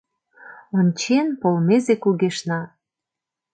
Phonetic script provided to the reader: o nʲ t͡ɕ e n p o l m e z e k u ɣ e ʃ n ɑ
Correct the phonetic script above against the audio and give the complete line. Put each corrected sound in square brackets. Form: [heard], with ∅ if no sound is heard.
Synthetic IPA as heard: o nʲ t͡ɕ e n p o l m e z e k u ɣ e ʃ n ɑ